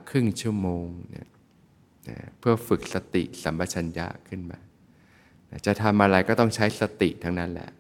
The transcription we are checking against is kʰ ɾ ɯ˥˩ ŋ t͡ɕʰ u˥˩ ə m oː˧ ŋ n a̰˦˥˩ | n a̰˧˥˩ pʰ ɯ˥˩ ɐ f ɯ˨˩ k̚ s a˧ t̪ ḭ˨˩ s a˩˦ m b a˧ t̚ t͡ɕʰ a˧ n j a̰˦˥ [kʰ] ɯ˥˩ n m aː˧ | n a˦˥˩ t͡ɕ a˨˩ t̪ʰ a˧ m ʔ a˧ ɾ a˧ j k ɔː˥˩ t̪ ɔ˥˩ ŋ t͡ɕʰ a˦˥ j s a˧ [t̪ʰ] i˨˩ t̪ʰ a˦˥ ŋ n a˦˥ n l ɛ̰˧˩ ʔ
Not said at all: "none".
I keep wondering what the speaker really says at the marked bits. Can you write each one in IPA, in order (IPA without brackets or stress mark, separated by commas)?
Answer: kʰ, t̪